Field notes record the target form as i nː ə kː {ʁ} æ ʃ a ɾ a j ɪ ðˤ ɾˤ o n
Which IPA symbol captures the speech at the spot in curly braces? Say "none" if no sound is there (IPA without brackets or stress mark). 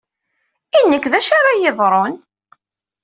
ð